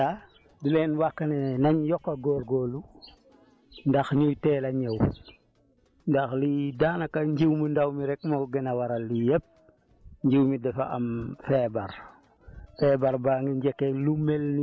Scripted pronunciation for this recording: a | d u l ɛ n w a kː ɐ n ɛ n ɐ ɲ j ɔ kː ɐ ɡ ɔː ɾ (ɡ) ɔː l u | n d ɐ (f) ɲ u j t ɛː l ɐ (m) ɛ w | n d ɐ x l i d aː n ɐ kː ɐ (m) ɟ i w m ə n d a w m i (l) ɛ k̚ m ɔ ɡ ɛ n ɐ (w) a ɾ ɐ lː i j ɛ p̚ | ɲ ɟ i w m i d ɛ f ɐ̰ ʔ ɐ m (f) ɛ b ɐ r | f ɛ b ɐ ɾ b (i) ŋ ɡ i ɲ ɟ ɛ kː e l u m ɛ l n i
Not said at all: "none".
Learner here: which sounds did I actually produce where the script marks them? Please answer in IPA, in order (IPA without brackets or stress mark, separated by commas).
ɡ, x, ɲ, ɲ, ɾ, w, f, a